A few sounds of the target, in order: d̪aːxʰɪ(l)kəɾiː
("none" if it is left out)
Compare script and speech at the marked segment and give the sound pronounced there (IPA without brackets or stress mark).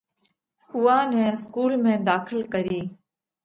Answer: l